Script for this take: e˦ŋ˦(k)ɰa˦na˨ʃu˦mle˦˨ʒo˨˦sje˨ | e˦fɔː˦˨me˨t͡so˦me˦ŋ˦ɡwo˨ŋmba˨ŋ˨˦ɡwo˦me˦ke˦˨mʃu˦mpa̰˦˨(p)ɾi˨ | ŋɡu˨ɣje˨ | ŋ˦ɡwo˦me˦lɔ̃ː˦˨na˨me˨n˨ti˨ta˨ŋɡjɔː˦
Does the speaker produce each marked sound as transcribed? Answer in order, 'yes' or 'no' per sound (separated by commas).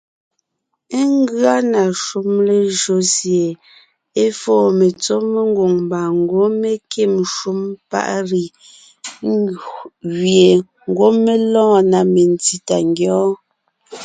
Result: no, no